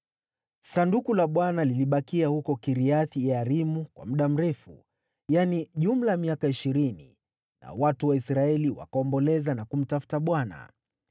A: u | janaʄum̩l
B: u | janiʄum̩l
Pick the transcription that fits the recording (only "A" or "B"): B